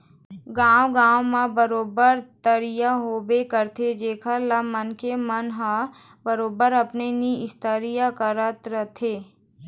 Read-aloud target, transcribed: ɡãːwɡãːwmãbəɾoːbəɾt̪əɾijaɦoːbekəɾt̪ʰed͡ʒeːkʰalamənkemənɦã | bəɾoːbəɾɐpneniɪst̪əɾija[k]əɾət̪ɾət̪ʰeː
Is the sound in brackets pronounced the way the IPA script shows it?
yes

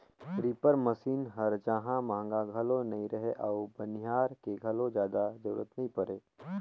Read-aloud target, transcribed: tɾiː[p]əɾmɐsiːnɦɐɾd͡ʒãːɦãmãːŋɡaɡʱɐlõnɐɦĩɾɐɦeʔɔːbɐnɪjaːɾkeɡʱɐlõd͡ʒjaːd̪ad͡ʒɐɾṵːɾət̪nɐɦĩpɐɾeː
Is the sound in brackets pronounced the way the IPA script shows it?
yes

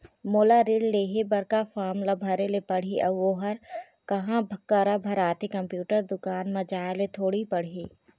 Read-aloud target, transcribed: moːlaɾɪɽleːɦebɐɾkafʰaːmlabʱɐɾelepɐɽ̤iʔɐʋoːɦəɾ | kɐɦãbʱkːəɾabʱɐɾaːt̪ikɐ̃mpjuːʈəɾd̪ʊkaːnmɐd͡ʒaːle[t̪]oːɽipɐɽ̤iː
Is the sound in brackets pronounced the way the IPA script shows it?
no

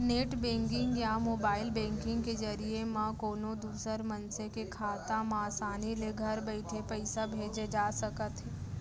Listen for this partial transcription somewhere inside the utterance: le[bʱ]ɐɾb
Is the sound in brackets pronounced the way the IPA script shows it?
no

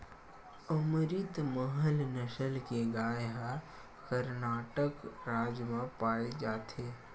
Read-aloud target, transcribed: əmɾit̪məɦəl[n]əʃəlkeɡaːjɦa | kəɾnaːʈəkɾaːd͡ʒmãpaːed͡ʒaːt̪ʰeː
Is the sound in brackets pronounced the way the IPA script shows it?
yes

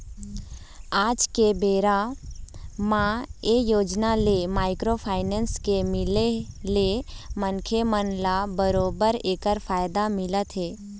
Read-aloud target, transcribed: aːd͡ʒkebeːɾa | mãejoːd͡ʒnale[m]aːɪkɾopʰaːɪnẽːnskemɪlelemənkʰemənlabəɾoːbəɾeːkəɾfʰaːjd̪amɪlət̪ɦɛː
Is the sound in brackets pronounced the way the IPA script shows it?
yes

